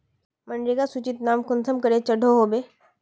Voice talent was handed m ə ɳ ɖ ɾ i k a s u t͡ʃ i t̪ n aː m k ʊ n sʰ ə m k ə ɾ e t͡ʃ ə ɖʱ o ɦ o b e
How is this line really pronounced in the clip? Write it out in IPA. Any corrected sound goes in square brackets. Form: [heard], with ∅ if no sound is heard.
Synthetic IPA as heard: m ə ɳ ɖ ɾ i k a s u t͡ʃ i t̪ n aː m k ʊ n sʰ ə m k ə ɾ e t͡ʃ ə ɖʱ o ɦ o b e